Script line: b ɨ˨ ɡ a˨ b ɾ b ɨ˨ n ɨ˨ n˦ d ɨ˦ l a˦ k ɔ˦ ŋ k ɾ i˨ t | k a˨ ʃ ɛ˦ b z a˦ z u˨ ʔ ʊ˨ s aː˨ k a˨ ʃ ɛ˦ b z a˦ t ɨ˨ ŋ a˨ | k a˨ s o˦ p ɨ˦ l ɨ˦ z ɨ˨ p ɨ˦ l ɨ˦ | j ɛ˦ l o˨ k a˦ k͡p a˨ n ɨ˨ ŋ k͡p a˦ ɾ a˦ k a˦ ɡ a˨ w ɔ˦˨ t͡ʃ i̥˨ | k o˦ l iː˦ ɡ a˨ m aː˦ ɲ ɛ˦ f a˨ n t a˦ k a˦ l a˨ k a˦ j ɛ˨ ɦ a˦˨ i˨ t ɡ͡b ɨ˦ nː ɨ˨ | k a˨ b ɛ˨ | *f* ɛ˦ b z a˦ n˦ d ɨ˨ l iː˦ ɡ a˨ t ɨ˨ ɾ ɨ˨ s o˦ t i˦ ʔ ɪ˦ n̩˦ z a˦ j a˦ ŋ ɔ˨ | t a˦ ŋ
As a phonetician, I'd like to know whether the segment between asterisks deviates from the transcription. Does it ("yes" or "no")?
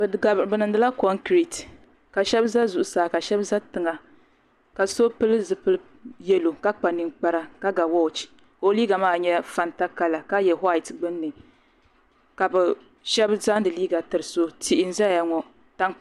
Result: yes